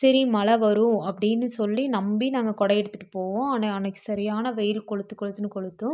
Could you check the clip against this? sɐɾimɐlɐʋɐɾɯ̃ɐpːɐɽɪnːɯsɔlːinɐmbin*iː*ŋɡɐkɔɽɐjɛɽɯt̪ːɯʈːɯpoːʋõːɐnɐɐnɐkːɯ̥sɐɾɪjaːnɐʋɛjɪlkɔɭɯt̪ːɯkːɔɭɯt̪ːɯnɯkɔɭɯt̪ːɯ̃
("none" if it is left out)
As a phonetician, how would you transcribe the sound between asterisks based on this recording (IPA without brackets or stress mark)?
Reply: aː